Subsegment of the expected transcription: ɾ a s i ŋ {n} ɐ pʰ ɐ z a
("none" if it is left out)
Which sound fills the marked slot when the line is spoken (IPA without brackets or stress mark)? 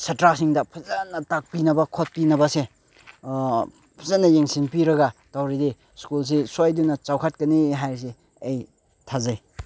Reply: d